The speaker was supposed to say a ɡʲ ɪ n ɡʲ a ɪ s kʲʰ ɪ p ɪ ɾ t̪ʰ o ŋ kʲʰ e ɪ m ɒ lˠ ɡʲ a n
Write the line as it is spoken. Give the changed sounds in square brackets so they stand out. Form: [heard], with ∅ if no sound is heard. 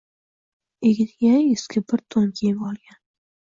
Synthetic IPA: [e] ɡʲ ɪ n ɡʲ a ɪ s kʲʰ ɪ [b] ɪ ɾ t̪ʰ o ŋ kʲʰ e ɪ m ɒ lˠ ɡʲ a n